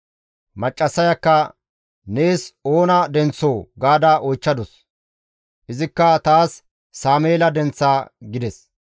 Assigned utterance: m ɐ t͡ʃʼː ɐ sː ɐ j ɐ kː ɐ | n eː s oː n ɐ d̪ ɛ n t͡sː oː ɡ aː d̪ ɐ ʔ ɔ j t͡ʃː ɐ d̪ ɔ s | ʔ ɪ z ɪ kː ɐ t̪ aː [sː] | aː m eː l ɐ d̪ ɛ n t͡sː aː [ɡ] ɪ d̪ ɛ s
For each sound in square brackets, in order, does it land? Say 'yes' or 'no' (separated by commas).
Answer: yes, yes